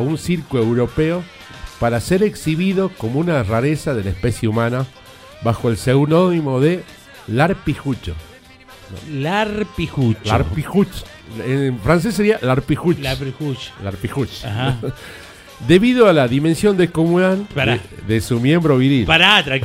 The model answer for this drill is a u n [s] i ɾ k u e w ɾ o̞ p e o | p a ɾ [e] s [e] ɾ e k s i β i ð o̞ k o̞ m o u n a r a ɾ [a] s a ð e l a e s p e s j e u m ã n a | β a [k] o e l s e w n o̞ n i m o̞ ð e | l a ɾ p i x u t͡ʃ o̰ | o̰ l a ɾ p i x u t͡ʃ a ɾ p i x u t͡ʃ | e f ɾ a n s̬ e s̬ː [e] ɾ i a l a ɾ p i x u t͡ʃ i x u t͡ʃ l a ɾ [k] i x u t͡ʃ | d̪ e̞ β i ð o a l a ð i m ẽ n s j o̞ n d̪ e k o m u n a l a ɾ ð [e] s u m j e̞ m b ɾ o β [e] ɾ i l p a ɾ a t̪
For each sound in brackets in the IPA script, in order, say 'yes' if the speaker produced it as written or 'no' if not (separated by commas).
yes, no, yes, no, no, yes, no, yes, no